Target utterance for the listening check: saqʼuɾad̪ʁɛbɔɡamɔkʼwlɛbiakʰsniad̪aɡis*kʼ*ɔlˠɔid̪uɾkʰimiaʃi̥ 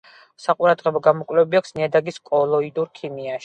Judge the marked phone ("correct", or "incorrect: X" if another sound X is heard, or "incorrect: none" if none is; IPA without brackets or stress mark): correct